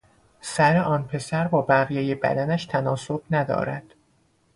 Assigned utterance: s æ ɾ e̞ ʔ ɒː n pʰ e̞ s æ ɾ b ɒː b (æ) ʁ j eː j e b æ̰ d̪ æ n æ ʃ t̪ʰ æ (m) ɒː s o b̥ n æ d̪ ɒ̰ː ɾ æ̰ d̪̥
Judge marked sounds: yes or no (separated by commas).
yes, no